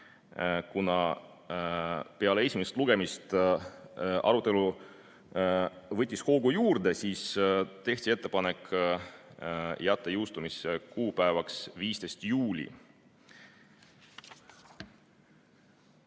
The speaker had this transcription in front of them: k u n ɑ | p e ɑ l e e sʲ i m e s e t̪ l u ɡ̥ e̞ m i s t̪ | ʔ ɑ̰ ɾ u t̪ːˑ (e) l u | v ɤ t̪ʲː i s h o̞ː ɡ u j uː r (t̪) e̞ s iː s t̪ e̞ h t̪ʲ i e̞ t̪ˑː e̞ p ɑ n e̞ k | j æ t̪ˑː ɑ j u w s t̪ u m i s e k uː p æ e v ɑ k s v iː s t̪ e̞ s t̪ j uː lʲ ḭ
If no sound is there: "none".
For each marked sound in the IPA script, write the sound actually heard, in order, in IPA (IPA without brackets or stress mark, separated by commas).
e, d̪